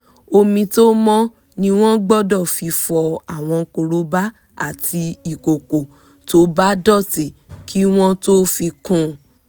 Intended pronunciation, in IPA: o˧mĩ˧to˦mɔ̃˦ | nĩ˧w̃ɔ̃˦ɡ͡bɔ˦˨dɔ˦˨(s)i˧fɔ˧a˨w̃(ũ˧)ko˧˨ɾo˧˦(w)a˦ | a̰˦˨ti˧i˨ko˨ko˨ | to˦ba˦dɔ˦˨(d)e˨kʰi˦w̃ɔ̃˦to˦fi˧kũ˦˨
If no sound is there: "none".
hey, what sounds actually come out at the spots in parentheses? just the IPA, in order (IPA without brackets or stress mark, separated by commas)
f, ɔ̃˧, b, t